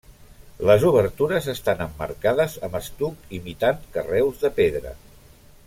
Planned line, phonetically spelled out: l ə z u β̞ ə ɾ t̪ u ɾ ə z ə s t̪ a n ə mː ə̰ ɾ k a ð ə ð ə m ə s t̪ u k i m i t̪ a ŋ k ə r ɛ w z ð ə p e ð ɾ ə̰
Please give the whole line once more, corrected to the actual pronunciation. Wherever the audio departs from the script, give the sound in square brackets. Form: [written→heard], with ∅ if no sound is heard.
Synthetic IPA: l ə z u β̞ ə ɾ t̪ u ɾ ə z ə s t̪ a n ə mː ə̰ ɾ k a ð ə [ð→z] ə m ə s t̪ u k i m i t̪ a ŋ k ə r ɛ w z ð ə p e ð ɾ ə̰